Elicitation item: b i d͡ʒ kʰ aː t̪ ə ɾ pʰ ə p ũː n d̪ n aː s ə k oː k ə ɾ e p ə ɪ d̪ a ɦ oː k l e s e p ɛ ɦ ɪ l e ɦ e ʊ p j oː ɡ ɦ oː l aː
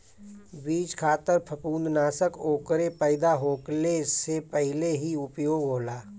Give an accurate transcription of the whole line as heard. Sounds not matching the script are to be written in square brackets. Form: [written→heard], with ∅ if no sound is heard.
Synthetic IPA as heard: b [i→iː] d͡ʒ kʰ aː t̪ ə ɾ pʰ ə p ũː n d̪ n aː s ə k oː k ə ɾ e p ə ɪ d̪ a ɦ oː k l e s e p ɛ ɦ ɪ l e ɦ [e→i] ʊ p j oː ɡ ɦ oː l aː